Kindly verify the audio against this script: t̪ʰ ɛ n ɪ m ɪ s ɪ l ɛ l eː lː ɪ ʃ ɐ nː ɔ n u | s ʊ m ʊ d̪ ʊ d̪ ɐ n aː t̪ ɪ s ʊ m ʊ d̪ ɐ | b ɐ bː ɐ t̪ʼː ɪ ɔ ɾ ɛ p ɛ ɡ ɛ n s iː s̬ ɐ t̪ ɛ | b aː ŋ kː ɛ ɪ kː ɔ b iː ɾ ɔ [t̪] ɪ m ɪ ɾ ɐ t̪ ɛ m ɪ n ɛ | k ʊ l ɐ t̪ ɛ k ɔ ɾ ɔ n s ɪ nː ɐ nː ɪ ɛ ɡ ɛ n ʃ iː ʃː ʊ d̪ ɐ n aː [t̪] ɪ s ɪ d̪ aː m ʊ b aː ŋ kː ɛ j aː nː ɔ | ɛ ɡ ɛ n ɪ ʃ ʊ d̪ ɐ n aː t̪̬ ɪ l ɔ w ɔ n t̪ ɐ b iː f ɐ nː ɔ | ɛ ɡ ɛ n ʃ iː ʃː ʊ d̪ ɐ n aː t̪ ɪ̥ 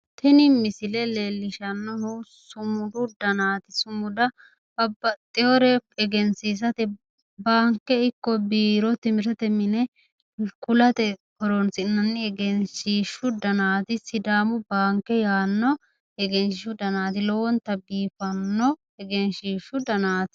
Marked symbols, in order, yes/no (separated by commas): yes, yes